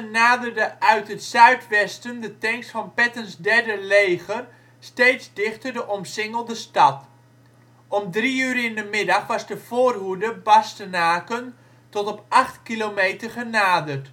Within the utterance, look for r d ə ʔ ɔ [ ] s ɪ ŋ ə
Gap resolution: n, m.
m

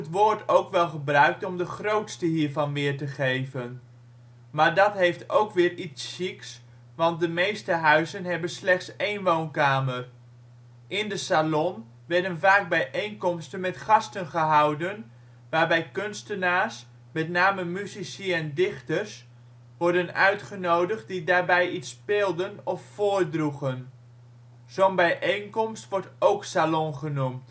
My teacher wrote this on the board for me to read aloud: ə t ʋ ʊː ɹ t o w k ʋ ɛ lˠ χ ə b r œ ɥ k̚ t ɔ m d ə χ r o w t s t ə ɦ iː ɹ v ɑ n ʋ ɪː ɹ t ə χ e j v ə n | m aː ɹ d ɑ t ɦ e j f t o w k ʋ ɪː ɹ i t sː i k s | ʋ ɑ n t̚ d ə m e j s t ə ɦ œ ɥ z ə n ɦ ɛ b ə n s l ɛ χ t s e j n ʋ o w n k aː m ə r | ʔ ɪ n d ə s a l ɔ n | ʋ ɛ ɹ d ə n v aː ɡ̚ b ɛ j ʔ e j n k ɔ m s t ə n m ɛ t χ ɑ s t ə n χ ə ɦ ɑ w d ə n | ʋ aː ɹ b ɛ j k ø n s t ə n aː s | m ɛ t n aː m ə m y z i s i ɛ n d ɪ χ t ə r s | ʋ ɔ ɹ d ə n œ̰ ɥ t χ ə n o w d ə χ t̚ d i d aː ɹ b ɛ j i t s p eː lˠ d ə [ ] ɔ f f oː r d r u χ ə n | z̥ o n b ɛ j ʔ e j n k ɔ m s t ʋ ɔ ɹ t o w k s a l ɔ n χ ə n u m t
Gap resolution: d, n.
n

